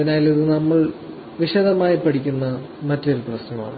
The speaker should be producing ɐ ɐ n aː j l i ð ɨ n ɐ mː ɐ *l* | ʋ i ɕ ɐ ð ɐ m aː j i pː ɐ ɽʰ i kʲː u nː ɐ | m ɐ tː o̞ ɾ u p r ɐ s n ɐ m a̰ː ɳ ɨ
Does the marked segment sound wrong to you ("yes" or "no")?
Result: yes